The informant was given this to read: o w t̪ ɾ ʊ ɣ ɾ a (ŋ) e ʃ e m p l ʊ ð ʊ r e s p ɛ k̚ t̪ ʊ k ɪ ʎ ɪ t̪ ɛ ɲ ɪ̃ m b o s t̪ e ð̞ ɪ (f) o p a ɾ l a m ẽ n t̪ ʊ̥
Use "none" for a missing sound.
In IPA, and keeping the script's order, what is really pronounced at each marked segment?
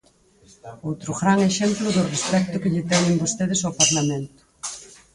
ŋ, s

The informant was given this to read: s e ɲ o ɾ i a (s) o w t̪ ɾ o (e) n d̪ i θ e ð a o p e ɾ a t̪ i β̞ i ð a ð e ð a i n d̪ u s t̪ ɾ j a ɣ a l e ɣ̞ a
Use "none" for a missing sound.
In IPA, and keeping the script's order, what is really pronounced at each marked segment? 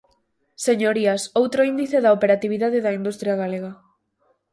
s, i

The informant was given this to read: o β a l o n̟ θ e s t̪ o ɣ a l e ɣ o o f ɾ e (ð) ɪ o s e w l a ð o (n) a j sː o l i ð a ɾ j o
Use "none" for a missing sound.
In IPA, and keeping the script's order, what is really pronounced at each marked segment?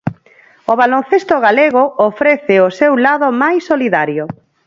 θ, m

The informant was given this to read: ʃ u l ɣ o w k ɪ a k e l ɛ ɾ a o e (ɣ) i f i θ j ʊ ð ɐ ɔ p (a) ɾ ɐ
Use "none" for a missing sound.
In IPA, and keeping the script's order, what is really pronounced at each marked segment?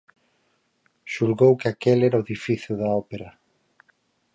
ð, e

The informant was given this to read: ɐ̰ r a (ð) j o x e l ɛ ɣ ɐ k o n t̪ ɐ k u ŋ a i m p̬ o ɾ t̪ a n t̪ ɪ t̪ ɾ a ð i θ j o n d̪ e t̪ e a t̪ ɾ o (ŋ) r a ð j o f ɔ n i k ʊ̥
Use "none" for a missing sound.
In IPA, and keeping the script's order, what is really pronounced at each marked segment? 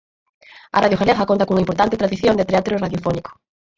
ð, none

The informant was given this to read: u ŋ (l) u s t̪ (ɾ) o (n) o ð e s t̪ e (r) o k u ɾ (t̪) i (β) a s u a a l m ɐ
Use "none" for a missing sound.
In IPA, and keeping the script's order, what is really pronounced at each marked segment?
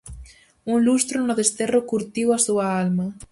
l, ɾ, n, r, t̪, w

